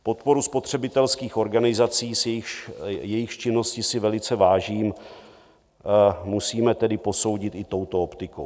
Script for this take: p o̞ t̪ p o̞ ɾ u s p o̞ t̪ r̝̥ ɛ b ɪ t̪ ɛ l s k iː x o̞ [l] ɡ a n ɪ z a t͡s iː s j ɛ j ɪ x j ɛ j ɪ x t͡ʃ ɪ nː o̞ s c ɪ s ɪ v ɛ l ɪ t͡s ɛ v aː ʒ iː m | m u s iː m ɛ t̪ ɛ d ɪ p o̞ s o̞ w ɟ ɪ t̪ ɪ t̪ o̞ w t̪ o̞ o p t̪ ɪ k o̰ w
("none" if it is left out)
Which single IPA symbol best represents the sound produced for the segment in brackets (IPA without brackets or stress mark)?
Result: ɾ